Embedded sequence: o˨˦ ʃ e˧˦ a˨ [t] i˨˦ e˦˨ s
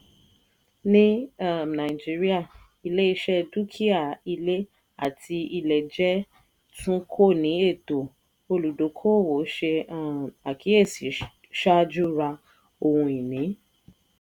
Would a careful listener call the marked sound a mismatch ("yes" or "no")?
yes